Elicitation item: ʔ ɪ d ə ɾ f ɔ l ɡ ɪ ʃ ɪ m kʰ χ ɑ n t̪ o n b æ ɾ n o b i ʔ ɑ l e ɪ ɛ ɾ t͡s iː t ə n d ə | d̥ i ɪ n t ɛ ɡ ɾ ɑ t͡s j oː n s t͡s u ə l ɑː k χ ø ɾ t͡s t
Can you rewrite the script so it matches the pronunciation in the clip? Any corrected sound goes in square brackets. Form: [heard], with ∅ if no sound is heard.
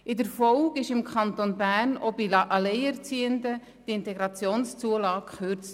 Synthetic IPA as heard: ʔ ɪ d ə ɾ f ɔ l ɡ ɪ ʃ ɪ m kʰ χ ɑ n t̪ o n b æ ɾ n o b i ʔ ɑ l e ɪ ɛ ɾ t͡s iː [∅] ə n d ə | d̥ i ɪ n t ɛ ɡ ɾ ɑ t͡s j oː n s t͡s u ə l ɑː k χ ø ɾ t͡s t

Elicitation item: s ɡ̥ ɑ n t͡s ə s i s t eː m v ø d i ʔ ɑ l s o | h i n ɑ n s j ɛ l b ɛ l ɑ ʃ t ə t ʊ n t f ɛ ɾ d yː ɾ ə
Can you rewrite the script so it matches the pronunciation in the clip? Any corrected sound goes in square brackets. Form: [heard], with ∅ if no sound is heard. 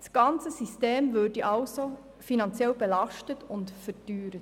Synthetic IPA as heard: s ɡ̥ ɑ n t͡s ə s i s t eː m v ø d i ʔ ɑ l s o | [f] i n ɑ n [t͡s] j ɛ l b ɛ l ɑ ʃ t ə t ʊ n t f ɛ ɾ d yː ɾ ə

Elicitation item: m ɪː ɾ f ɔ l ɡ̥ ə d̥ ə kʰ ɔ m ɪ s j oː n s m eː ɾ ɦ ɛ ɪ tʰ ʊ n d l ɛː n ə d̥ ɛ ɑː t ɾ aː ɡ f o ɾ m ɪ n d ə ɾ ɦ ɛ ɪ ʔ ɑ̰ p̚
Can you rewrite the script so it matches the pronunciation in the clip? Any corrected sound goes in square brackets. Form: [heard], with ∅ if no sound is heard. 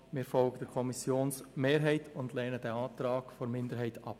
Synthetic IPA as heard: m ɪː ɾ f ɔ l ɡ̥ ə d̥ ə kʰ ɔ m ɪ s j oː n s m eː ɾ ɦ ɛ ɪ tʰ ʊ n d l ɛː n ə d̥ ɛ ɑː t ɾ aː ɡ f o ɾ m ɪ n d ə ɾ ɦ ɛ ɪ [t] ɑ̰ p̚

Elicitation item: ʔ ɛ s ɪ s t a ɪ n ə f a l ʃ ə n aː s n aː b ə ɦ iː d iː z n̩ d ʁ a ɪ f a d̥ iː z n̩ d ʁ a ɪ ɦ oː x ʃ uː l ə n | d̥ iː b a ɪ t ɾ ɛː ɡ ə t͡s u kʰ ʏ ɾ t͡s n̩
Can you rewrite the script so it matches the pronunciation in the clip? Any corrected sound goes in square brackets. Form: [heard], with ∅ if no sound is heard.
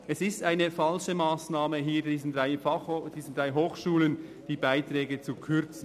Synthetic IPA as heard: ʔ ɛ s ɪ s t a ɪ n ə f a l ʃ ə [m] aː s n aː [m] ə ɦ iː d iː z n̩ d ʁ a ɪ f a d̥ iː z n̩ d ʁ a ɪ ɦ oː x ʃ uː l ə n | d̥ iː b a ɪ t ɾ ɛː ɡ ə t͡s u kʰ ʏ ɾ t͡s n̩

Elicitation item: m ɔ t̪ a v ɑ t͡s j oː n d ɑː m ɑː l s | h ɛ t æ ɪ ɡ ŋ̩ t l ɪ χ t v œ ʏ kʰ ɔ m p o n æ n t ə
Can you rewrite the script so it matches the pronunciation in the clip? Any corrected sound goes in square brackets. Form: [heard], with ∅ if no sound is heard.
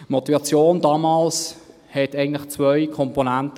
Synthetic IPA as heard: m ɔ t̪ [i] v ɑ t͡s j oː n d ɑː m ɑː l s | h ɛ t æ ɪ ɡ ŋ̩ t l ɪ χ [t͡s] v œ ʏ kʰ ɔ m p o n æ n t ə

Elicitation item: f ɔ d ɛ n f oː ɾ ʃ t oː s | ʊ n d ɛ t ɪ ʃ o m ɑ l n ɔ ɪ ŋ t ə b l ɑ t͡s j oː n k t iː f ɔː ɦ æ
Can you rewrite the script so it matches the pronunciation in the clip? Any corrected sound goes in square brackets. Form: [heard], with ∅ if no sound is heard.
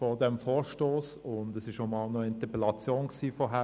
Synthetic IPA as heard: f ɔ d ɛ [m] f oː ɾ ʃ t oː s | ʊ n d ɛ [s] ɪ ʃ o m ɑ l n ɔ ɪ [n] t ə [p] l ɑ t͡s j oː n k [s] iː f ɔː ɦ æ

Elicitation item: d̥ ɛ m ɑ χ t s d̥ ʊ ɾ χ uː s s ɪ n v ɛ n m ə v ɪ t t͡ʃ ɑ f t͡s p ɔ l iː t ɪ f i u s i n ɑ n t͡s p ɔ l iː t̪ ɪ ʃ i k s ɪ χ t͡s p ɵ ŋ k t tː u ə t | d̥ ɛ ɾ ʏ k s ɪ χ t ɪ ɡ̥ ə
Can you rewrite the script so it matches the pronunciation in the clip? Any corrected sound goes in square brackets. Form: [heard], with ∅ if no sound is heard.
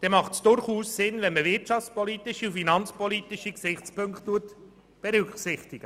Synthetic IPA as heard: d̥ ɛ m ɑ χ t s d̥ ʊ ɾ χ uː s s ɪ n v ɛ n m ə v ɪ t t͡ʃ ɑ f t͡s p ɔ l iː t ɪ [ʃ] i u [f] i n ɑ n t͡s p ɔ l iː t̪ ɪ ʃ i k s ɪ χ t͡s p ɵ ŋ k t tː u ə t | [b̥] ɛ ɾ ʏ k s ɪ χ t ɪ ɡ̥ ə

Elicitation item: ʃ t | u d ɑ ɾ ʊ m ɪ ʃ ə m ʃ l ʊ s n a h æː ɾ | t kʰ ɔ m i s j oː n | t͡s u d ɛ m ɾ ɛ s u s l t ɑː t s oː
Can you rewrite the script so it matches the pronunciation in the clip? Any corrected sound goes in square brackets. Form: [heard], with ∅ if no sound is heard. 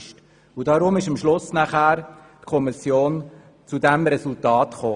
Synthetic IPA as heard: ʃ t | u d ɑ ɾ ʊ m ɪ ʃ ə m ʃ l ʊ s n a [χ] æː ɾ | t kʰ ɔ m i s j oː n | t͡s u d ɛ m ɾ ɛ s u [∅] l t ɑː t [χ] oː

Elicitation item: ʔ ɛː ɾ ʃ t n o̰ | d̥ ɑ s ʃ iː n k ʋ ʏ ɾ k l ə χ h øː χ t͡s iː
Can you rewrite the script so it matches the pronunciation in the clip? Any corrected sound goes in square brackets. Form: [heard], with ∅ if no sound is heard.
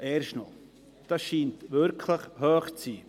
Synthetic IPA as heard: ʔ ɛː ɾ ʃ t n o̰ | d̥ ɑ s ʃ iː n [t] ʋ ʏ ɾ [kʰ] l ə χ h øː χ t͡s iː

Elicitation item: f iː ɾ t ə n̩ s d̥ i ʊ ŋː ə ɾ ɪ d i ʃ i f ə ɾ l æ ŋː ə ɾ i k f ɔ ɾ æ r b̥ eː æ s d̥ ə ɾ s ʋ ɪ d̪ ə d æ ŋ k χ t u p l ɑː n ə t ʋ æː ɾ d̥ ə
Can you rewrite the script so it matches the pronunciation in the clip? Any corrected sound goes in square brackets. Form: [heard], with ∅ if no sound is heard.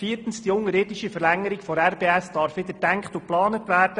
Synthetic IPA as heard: f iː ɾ t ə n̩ s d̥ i ʊ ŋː ə ɾ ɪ d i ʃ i f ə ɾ l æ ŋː ə ɾ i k f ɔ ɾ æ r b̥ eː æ s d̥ [ɑ] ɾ [f] ʋ ɪ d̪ ə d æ ŋ k χ t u p l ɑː n ə t ʋ æː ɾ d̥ ə

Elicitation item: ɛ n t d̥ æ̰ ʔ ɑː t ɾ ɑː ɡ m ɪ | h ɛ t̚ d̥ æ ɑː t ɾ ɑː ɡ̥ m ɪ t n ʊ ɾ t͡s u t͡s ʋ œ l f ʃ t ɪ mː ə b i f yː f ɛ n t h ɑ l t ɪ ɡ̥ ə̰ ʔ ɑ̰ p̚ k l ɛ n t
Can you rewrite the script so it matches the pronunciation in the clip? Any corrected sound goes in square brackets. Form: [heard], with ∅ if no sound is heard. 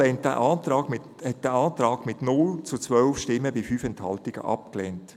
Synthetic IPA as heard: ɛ n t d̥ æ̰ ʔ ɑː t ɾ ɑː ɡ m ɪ | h ɛ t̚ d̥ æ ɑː t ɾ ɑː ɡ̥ m ɪ t n ʊ [l] t͡s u t͡s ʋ œ l f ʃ t ɪ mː ə b i f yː f ɛ n t h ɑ l t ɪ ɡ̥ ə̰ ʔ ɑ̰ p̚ k l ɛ n t

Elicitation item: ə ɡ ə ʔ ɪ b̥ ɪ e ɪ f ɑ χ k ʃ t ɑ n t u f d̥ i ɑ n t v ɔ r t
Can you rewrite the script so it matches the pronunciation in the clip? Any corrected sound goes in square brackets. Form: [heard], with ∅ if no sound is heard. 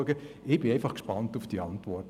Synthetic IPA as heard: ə ɡ ə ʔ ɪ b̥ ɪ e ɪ f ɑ χ k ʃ [p] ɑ n t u f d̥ i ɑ n t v ɔ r t

